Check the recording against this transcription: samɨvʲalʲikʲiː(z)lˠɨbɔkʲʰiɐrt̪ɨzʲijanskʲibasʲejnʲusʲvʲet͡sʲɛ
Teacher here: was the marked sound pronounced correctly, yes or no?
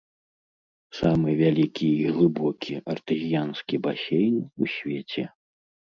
no